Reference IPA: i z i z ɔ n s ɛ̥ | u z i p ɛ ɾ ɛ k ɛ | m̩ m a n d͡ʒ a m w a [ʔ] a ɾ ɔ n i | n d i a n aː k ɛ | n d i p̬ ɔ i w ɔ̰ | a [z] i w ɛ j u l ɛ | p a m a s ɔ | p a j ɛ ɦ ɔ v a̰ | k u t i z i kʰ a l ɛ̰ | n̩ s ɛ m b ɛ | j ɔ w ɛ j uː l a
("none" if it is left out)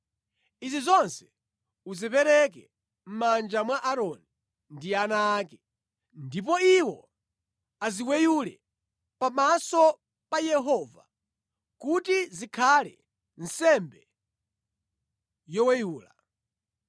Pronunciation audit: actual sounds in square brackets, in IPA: ʔ, z

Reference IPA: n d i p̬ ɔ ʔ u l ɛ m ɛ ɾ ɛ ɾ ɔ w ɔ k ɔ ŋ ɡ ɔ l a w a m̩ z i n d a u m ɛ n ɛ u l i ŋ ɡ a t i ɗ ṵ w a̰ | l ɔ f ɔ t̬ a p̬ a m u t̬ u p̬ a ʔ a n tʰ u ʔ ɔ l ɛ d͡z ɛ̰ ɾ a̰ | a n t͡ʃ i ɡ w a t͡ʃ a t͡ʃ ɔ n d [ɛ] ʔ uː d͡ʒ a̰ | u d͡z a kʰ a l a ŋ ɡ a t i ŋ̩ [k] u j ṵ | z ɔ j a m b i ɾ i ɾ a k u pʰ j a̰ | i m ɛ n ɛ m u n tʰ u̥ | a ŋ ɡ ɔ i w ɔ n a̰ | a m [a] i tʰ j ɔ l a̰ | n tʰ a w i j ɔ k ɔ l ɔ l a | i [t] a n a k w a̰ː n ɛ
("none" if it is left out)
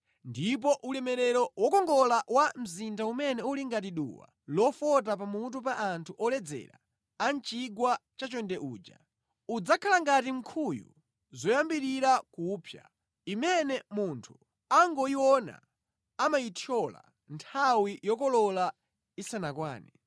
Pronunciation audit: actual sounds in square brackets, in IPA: ɛ, kʰ, a, s

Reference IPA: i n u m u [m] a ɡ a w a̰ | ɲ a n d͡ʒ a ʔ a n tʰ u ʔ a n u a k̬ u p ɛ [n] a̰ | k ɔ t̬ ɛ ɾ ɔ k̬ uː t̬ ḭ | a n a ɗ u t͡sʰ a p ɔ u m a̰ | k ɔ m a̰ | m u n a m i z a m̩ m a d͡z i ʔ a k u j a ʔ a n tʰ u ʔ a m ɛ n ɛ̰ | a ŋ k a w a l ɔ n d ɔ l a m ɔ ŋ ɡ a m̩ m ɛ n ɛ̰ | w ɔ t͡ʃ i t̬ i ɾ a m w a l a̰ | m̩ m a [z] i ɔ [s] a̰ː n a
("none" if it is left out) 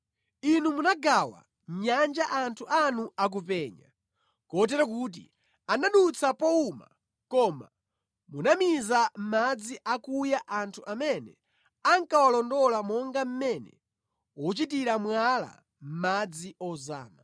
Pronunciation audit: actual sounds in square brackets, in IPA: n, ɲ, d͡z, z

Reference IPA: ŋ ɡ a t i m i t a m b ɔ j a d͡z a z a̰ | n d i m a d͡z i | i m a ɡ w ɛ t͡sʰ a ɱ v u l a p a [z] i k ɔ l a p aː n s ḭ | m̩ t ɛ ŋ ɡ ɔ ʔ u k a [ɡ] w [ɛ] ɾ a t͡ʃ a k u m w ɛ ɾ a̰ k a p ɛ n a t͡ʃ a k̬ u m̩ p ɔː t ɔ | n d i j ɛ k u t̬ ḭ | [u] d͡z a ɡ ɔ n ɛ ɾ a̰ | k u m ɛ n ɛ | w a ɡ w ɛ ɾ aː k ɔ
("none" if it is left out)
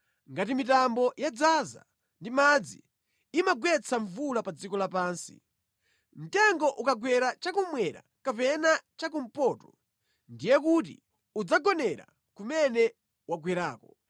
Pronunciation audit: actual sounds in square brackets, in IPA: d͡z, ɡ, ɛ, u

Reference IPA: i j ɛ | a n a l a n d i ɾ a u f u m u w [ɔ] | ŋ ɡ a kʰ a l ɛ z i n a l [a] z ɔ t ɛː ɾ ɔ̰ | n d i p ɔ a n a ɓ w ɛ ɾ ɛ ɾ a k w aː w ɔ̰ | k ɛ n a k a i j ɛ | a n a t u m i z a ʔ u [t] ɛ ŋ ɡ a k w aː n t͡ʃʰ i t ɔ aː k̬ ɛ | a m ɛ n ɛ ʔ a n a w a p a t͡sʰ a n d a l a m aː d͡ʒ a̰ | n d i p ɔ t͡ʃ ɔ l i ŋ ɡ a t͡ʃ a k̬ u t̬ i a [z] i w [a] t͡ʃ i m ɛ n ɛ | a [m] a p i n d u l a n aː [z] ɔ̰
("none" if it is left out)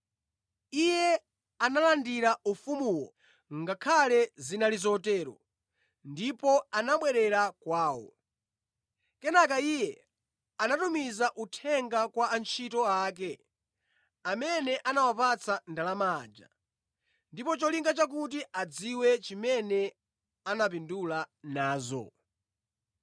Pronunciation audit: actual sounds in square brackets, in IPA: ɔ, i, tʰ, d͡z, ɛ, n, z

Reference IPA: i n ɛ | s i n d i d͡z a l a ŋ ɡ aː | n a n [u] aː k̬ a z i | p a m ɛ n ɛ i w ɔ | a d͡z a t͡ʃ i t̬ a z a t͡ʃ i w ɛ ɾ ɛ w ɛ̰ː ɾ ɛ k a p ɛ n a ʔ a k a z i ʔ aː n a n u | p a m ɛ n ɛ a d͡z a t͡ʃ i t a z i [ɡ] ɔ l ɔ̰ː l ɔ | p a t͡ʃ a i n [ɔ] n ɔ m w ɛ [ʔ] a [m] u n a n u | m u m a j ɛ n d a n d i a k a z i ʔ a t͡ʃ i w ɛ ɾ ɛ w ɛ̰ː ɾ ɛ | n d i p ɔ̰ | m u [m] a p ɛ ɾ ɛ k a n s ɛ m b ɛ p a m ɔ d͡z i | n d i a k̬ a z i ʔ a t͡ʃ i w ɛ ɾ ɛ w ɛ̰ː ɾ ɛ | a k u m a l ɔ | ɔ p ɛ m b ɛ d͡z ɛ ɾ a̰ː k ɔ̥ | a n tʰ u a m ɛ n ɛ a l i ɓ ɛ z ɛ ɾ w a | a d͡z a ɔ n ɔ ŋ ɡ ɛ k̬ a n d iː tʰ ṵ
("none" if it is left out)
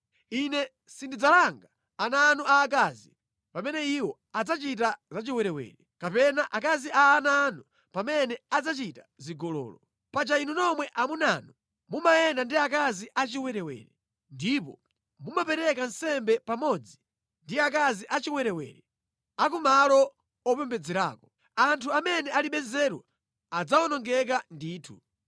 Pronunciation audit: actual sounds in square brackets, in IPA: u, ɡ, u, ʔ, m, m

